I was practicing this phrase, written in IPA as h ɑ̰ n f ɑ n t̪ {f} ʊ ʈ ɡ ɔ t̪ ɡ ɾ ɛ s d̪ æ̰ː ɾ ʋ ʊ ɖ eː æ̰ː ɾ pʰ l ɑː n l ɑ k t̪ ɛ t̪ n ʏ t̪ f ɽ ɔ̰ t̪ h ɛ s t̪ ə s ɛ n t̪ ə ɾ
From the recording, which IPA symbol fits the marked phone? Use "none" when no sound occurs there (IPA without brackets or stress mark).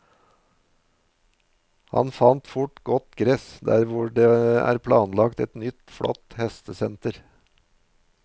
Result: f